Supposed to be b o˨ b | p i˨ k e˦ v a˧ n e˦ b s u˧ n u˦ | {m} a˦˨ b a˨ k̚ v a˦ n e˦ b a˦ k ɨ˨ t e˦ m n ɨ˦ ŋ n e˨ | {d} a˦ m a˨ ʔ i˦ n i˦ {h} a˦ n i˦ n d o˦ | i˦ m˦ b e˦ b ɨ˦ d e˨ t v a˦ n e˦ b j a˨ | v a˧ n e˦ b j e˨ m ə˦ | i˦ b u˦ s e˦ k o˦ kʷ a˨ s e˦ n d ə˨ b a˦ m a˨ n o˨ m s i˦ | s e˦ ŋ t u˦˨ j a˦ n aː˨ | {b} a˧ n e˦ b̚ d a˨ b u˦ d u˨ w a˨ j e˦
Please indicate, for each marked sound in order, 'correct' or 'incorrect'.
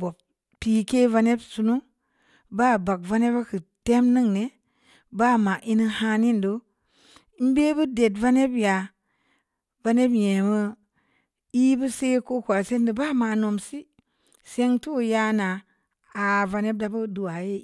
incorrect, incorrect, correct, incorrect

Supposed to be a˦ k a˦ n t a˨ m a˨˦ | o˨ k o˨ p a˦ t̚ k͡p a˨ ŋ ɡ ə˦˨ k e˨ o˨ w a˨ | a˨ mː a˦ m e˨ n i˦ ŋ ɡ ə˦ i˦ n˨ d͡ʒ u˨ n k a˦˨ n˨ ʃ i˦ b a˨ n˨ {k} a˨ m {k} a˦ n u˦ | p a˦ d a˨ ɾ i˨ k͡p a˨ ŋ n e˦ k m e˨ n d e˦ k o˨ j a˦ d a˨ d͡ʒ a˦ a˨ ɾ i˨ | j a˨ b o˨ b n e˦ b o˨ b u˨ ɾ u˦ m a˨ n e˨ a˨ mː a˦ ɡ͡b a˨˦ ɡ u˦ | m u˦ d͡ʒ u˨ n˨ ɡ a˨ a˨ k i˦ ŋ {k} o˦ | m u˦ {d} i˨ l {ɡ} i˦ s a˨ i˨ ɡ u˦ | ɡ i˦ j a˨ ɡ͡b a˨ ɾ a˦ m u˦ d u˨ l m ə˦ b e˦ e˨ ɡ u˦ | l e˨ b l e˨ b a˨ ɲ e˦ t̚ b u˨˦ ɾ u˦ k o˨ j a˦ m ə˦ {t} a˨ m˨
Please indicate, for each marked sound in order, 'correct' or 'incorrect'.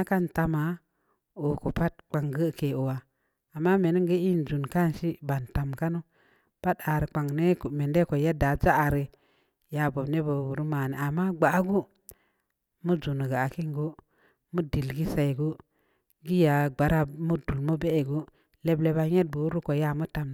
incorrect, correct, incorrect, correct, correct, correct

